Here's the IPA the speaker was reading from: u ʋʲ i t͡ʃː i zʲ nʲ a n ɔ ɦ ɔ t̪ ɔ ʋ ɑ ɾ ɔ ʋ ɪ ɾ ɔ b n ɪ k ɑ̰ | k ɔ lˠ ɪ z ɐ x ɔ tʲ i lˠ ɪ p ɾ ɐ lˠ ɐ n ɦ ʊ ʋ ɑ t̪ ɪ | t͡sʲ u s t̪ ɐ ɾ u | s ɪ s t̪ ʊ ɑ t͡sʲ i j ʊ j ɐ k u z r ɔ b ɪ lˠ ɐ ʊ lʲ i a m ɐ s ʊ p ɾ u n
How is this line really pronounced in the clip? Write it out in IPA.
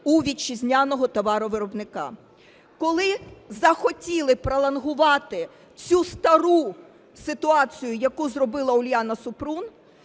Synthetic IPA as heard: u ʋʲ i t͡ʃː i zʲ nʲ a n ɔ ɦ ɔ t̪ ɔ ʋ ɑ ɾ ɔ ʋ ɪ ɾ ɔ b n ɪ k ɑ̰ | k ɔ lˠ ɪ z ɐ x ɔ tʲ i lˠ ɪ p ɾ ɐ lˠ ɐ n ɦ ʊ ʋ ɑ t̪ ɪ | t͡sʲ u s t̪ ɐ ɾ u | s ɪ t̪ ʊ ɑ t͡sʲ i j ʊ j ɐ k u z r ɔ b ɪ lˠ ɐ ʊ lʲ j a n ɐ s ʊ p ɾ u n